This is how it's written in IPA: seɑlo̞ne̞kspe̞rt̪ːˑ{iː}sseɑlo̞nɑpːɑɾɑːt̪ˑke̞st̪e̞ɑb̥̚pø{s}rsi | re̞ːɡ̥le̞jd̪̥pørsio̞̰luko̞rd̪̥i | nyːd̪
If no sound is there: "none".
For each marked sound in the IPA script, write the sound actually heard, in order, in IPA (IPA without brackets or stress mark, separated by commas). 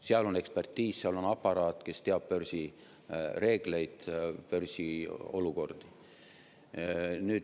iː, none